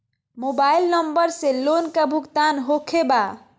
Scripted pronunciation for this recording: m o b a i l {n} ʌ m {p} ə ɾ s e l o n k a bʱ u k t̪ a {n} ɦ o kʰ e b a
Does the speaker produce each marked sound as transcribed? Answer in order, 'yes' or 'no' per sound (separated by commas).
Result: yes, no, yes